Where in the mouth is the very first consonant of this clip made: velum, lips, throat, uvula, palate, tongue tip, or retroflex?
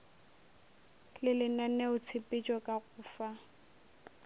tongue tip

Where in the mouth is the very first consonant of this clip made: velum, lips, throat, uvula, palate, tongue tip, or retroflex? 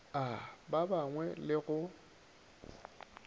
lips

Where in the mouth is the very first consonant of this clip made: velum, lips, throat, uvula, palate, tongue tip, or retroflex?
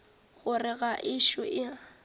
velum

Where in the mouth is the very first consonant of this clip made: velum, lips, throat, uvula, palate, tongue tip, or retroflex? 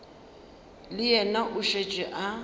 tongue tip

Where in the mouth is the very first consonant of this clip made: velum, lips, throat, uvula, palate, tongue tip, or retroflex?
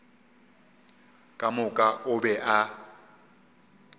velum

